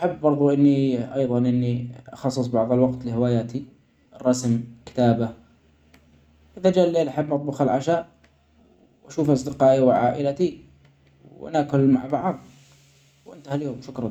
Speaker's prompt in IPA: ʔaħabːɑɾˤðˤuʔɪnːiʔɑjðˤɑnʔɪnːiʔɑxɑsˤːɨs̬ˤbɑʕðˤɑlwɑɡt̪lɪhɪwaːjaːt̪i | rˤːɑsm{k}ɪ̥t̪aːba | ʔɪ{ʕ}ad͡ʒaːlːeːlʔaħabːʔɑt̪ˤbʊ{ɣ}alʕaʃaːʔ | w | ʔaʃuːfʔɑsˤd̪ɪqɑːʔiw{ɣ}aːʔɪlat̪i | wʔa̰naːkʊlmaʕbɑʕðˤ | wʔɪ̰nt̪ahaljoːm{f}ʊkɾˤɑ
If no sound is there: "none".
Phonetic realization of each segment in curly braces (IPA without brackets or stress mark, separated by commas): k, ð, x, ʕ, ʃ